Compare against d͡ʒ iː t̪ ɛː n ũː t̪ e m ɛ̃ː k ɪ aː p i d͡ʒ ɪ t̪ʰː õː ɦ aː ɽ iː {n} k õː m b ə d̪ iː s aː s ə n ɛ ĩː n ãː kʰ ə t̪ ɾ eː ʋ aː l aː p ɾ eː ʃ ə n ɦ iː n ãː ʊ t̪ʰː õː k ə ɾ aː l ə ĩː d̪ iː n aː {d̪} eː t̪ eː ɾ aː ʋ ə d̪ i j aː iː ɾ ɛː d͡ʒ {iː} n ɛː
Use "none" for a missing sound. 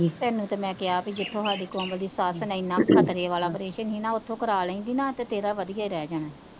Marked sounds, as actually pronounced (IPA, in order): none, t̪, aː

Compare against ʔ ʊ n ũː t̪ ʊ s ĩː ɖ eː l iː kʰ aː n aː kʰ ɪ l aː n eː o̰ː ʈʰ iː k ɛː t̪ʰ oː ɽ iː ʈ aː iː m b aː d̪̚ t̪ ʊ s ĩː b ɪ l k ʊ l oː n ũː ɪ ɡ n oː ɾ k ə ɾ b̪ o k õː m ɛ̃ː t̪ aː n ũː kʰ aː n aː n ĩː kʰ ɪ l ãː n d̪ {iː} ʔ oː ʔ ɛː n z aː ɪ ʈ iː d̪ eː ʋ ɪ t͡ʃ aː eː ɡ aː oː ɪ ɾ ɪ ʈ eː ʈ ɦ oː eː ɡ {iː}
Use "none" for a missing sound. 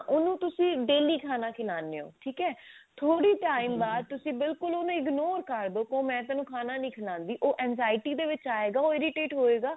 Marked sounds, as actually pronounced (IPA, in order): iː, aː

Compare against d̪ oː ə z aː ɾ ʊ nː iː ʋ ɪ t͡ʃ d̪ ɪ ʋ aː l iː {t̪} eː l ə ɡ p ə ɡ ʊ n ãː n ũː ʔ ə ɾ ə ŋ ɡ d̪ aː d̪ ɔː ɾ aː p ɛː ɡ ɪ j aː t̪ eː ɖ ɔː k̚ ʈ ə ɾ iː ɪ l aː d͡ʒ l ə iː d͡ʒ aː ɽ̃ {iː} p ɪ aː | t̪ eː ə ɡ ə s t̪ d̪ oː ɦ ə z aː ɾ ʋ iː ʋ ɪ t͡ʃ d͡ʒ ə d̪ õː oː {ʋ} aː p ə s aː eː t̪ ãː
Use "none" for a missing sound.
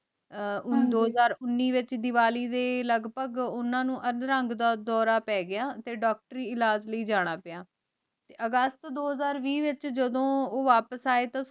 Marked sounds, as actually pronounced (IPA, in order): d̪, aː, ʋ

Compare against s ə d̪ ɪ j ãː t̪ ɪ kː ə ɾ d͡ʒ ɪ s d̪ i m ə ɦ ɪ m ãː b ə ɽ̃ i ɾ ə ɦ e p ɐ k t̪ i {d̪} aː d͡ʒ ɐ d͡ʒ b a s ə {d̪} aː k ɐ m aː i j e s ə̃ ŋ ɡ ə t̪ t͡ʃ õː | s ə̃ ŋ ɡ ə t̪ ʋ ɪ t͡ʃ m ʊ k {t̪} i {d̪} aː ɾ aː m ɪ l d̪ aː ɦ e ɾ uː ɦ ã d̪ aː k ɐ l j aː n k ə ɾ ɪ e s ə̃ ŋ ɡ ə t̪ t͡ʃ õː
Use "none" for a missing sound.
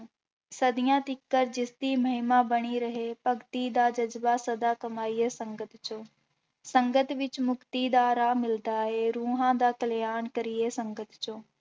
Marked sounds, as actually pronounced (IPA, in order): d̪, d̪, t̪, d̪

